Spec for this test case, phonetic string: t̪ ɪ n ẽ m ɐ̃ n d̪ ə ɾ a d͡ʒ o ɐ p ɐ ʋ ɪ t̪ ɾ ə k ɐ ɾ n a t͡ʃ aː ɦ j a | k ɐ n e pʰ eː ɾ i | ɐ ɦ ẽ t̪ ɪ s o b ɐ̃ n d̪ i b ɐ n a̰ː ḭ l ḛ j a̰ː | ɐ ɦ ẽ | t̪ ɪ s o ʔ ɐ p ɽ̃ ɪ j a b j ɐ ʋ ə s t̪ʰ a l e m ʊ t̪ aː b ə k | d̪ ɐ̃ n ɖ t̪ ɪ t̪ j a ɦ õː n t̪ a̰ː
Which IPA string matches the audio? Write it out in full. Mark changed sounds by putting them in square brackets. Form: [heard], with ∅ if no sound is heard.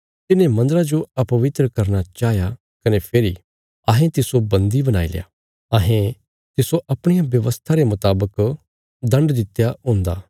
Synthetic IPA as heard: t̪ ɪ n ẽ m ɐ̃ n d̪ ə ɾ a d͡ʒ o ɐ p ɐ ʋ ɪ t̪ ɾ ə k ɐ ɾ n a t͡ʃ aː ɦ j a | k ɐ n e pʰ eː ɾ i | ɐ ɦ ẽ t̪ ɪ s o b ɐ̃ n d̪ i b ɐ n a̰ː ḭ l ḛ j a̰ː | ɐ ɦ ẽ | t̪ ɪ s o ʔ ɐ p ɽ̃ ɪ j a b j ɐ ʋ ə s t̪ʰ a [ɾ] e m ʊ t̪ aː b ə k | d̪ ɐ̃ [ɳ] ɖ [d̪] ɪ t̪ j a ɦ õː n [d̪] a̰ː